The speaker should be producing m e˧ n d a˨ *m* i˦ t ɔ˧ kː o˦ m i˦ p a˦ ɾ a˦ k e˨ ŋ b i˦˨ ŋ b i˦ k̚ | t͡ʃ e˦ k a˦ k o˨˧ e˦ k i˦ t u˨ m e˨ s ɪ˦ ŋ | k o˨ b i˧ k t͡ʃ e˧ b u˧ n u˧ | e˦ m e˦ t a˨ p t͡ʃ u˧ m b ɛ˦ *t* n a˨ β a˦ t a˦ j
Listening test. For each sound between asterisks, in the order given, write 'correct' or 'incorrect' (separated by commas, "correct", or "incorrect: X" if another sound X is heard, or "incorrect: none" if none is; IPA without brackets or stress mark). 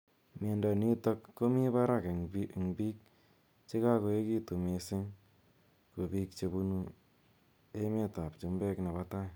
incorrect: n, incorrect: k